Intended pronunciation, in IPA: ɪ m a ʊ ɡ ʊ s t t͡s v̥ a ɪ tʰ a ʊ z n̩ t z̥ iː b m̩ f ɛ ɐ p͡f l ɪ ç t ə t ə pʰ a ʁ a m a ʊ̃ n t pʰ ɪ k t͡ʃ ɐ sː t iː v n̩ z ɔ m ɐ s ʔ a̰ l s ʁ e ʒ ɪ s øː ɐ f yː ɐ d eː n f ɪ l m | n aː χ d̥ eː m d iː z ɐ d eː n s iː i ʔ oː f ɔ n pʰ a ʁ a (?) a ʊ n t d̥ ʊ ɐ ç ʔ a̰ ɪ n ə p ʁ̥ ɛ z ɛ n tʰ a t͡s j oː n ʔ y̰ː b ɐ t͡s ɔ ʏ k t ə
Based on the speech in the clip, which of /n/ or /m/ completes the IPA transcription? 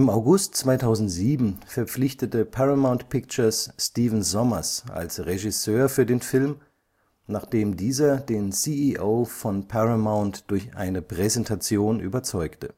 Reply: m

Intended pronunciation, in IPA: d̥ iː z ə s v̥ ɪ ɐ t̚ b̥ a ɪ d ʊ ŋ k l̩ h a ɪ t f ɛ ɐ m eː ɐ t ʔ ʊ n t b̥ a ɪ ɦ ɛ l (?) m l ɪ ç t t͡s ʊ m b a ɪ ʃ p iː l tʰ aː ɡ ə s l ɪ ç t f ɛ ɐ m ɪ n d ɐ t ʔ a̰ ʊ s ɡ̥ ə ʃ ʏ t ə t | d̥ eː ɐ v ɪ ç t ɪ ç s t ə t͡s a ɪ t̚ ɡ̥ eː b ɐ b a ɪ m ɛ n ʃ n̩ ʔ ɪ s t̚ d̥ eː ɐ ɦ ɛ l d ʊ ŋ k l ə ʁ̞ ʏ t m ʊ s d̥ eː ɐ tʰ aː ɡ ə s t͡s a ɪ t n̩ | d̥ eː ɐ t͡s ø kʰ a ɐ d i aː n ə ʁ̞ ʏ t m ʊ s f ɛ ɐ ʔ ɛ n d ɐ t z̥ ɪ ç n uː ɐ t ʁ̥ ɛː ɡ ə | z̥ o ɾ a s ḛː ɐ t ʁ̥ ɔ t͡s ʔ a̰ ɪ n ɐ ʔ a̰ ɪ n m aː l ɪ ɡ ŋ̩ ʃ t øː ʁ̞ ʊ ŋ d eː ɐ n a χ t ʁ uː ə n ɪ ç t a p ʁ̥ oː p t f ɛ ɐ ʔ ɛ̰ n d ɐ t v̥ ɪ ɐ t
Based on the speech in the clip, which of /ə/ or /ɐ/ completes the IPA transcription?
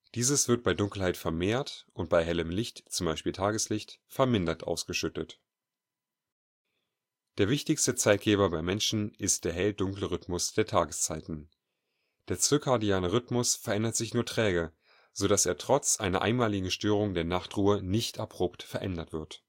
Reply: ə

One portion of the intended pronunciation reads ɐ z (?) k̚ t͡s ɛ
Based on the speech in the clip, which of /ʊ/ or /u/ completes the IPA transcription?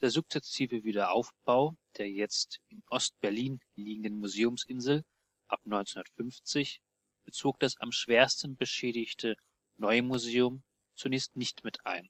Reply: ʊ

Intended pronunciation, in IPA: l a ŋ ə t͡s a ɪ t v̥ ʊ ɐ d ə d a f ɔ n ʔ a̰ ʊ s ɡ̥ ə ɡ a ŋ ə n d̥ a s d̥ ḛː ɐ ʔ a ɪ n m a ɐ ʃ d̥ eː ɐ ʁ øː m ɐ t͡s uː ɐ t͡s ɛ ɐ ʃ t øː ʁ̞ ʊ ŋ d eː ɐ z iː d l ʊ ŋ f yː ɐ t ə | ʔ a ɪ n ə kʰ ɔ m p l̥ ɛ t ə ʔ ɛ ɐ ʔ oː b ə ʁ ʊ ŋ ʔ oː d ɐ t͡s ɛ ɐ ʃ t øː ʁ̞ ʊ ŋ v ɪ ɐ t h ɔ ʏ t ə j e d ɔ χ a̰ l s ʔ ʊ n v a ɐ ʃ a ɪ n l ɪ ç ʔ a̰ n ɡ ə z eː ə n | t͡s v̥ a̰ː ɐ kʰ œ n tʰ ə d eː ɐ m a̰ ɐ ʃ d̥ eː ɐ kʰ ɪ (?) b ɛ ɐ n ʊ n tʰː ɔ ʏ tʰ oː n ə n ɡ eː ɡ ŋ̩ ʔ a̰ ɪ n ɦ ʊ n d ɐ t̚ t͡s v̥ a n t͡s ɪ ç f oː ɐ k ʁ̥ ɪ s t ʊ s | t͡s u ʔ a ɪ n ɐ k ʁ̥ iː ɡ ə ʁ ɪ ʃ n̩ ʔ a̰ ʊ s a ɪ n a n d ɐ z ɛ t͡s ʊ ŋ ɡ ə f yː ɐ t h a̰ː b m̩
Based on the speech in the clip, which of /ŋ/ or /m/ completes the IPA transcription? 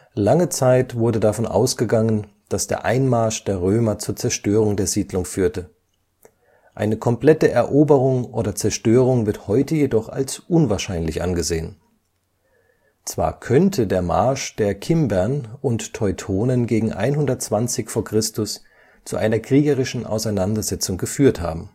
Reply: m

